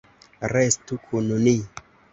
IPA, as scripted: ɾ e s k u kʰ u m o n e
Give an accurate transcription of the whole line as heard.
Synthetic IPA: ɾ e s t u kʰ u n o n i